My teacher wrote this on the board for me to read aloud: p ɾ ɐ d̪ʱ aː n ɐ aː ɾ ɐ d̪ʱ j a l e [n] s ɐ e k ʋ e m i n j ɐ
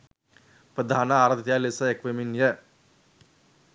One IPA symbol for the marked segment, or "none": none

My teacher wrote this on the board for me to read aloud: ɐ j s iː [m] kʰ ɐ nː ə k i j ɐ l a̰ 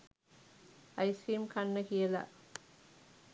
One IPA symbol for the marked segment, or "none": m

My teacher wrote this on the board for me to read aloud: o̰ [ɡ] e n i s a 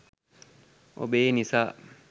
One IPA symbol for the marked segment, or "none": b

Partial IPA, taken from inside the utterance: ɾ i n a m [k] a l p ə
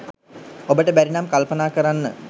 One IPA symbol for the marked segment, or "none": k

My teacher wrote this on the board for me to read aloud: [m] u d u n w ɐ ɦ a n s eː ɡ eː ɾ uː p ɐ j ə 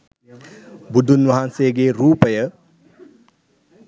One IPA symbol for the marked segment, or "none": b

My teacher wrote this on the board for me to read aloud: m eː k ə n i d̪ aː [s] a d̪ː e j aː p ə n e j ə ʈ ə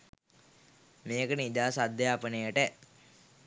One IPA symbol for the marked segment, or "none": s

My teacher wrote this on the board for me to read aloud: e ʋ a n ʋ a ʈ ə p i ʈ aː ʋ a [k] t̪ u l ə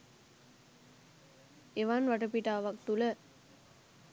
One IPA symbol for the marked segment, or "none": k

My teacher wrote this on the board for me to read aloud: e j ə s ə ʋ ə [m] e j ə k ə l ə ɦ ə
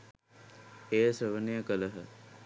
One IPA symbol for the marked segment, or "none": n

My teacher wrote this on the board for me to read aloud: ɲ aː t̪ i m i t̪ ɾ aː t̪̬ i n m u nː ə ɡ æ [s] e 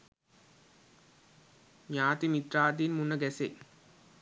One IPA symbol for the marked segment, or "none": s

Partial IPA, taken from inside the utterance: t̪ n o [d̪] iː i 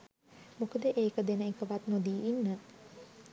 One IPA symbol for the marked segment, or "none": d̪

